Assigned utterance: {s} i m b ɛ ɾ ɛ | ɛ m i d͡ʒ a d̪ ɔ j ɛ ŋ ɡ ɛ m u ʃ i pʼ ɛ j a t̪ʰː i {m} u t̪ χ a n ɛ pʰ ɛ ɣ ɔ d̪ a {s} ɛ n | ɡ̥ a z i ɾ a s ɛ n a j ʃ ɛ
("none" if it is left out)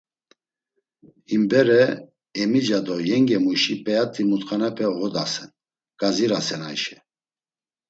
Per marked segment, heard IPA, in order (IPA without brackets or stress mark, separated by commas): h, m, s